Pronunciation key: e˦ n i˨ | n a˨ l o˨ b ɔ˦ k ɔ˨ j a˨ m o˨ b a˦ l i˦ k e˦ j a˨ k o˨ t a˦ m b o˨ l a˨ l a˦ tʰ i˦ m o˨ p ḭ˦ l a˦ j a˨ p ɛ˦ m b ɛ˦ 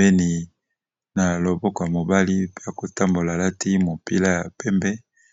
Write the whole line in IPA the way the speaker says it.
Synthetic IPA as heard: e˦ n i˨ | n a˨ l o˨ b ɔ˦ k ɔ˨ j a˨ m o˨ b a˦ l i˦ p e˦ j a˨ k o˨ t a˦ m b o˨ l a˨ l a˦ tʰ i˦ m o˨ p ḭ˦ l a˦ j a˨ p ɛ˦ m b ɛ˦

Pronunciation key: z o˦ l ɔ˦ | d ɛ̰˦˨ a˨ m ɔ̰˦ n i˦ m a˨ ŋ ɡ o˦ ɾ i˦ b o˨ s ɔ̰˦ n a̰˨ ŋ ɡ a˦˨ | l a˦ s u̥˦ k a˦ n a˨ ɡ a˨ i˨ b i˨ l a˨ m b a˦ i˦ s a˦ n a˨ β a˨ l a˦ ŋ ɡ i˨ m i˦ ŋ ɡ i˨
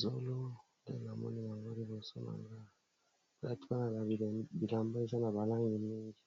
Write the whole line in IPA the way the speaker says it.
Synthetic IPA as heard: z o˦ l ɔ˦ | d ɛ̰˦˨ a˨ m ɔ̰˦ n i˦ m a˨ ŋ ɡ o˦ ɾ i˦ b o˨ s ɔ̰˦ n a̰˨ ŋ ɡ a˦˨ | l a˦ t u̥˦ k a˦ n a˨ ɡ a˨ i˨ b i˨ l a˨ m b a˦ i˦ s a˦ n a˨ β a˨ l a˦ ŋ ɡ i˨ m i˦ ŋ ɡ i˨

